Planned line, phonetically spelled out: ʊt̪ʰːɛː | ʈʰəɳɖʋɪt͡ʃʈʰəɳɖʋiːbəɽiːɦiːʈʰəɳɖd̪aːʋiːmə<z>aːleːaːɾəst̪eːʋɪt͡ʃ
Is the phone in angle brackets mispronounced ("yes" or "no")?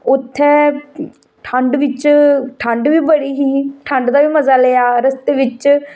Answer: no